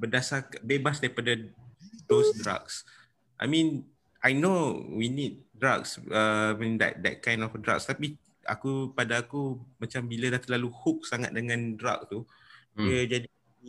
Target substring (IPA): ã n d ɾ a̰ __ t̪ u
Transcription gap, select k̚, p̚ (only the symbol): k̚